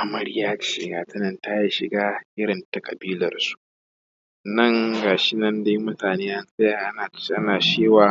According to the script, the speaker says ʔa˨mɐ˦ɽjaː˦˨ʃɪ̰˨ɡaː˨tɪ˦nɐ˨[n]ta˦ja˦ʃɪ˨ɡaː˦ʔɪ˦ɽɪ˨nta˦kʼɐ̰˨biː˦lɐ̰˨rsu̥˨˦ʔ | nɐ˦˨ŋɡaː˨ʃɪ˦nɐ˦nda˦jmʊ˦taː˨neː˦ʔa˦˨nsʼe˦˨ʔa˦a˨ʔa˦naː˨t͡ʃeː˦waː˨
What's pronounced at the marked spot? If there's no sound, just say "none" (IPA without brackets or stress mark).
n